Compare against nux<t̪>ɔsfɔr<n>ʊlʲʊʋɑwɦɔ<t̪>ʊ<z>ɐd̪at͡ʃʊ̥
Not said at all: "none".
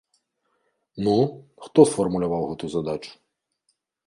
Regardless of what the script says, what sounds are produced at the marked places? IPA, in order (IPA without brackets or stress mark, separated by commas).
t̪, m, t̪, z